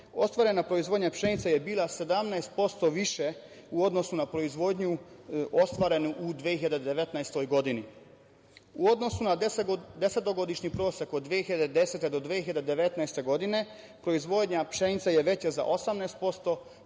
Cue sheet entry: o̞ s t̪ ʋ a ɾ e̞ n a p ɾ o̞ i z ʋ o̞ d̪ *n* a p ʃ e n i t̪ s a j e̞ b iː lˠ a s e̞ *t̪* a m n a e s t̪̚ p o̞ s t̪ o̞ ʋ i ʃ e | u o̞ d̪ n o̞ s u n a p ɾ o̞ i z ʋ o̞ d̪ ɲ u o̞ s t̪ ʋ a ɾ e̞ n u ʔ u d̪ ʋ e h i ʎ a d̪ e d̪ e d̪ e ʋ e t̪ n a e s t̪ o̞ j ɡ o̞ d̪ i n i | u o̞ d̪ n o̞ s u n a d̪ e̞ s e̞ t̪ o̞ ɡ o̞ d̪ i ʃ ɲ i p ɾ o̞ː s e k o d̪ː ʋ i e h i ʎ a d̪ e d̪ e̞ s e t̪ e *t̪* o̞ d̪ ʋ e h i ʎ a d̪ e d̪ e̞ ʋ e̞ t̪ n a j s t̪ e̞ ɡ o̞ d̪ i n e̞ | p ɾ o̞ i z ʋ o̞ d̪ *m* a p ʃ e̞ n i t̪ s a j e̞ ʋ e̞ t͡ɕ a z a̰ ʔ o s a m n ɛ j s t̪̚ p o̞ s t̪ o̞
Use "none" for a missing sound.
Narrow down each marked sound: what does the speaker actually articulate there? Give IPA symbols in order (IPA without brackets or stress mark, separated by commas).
ɲ, d̪, d̪, ɲ